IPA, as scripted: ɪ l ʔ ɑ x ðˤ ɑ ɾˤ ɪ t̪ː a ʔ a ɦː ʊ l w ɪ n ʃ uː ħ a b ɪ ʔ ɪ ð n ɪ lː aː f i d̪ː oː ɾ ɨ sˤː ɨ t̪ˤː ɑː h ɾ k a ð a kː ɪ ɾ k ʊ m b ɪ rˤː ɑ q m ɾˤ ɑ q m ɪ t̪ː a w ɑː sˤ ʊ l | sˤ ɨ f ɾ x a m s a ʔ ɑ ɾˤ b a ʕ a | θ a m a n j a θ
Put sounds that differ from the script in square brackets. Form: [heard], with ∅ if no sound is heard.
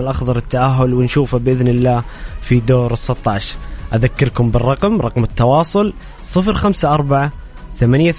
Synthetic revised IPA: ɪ l ʔ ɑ x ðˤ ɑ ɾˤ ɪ t̪ː a ʔ a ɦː ʊ l w ɪ n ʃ uː [f] a b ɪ ʔ ɪ ð n ɪ lː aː f i [d̪] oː ɾ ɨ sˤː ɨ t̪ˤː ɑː [ʃ] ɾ [ʔ] a ð a kː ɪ ɾ k ʊ m b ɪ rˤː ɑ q m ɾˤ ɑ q m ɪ t̪ː [ɑ] w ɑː sˤ ʊ l | sˤ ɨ f ɾ x a m s a ʔ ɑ ɾˤ b a ʕ a | θ a m a n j a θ